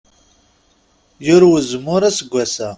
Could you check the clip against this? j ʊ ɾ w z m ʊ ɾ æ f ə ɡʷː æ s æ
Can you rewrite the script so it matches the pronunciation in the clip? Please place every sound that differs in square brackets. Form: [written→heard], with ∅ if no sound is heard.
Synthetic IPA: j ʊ ɾ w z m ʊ ɾ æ [f→s] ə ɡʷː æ s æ